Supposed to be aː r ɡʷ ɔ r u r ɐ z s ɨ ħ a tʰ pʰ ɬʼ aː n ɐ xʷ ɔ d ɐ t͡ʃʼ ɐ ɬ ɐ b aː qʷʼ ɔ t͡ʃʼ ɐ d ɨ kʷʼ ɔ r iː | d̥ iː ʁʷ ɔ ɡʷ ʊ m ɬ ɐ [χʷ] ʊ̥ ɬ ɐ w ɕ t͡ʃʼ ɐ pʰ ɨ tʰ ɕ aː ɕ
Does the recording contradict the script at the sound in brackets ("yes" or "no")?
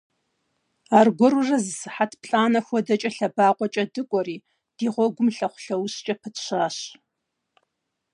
no